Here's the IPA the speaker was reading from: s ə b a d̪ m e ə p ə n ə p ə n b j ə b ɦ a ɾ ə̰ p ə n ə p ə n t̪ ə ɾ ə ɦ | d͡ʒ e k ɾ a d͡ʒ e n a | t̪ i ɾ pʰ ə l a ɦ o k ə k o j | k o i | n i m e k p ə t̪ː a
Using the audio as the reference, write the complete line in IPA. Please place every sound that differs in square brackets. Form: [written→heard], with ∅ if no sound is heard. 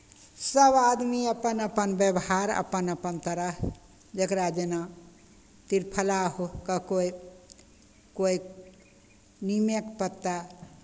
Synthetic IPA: s ə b a d̪ m [e→i] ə p ə n ə p ə n b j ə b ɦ a ɾ ə̰ p ə n ə p ə n t̪ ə ɾ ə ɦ | d͡ʒ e k ɾ a d͡ʒ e n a | t̪ i ɾ pʰ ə l a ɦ o k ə k o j | k o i | n i m e k p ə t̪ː a

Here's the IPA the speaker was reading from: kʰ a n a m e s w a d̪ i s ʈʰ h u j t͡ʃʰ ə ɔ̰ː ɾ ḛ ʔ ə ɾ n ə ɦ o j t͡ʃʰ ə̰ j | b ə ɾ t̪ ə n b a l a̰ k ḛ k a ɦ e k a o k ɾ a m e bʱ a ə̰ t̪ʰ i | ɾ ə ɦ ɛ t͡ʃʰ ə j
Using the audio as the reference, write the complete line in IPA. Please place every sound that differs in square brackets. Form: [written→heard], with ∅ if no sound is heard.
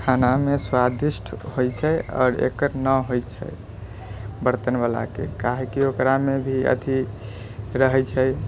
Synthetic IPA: kʰ a n a m e s w a d̪ i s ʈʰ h [u→o] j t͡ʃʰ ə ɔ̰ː ɾ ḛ [ʔ→k] ə ɾ n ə ɦ o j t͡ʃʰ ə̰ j | b ə ɾ t̪ ə n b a l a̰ k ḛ k a ɦ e k [a→i] o k ɾ a m e bʱ [a→i] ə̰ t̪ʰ i | ɾ ə ɦ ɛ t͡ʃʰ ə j

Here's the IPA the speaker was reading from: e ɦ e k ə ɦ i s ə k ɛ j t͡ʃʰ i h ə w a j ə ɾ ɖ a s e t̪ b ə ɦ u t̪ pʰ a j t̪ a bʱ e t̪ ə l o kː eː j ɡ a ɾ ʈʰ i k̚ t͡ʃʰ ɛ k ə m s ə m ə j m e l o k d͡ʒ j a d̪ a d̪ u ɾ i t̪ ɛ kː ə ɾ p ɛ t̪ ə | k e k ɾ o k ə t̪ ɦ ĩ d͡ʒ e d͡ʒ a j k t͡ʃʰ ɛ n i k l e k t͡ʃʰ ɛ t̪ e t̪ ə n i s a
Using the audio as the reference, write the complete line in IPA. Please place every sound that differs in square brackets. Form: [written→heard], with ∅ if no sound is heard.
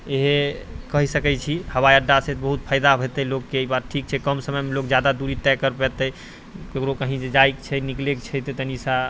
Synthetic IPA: e ɦ e k ə ɦ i s ə k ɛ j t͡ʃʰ i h ə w a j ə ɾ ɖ a s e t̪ b ə ɦ u t̪ pʰ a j [t̪→d̪] a bʱ e t̪ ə l o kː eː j [ɡ→b] a ɾ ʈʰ i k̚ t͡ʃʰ ɛ k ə m s ə m ə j m e l o k d͡ʒ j a d̪ a d̪ u ɾ i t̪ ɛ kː ə ɾ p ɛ t̪ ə | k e k ɾ o k ə [t̪→∅] ɦ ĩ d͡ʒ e d͡ʒ a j k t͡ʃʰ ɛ n i k l e k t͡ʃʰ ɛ t̪ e t̪ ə n i s a

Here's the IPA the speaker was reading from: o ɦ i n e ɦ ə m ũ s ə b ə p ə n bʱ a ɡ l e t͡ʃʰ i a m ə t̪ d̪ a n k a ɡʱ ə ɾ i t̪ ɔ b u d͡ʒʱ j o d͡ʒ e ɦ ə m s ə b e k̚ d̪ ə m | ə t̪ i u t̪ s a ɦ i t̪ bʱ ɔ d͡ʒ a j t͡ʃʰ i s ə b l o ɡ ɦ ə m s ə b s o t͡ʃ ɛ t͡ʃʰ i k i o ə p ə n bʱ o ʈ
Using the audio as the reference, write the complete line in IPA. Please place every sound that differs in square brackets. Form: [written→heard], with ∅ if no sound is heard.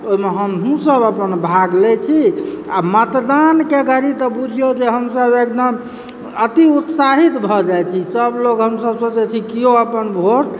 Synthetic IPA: o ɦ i [n→m] e ɦ ə m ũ s ə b ə p ə n bʱ a ɡ l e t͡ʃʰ i a m ə t̪ d̪ a n k [a→e] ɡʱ ə ɾ i t̪ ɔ b u d͡ʒʱ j o d͡ʒ e ɦ ə m s ə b e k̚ d̪ ə m | ə t̪ i u t̪ s a ɦ i t̪ bʱ ɔ d͡ʒ a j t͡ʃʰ i s ə b l o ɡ ɦ ə m s ə b s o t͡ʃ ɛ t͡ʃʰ i k i o ə p ə n bʱ o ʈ

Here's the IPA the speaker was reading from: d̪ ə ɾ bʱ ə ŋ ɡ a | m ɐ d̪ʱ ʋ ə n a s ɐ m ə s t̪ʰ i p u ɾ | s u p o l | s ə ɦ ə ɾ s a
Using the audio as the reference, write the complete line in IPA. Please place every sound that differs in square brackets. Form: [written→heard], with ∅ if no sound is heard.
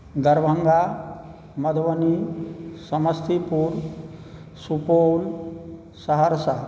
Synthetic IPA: d̪ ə ɾ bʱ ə ŋ ɡ a | m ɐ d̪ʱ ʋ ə n [a→i] s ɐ m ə s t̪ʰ i p u ɾ | s u p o l | s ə ɦ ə ɾ s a

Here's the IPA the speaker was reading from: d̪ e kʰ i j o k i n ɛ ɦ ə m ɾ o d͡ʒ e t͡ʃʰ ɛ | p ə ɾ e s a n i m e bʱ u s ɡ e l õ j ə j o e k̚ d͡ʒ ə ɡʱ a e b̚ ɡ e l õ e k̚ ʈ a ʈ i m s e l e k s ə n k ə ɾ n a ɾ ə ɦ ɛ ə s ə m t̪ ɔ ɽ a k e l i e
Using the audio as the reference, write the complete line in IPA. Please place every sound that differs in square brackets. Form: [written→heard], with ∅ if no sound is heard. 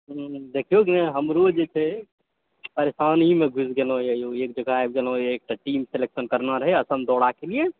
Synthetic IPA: d̪ e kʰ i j o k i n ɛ ɦ ə m ɾ o d͡ʒ e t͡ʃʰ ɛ | p ə ɾ e s a n i m e [bʱ→ɡʱ] u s ɡ e l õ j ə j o e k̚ d͡ʒ ə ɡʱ a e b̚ ɡ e l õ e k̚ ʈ a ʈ i m s e l e k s ə n k ə ɾ n a ɾ ə ɦ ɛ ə s ə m [t̪→d̪] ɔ ɽ a k e l i e

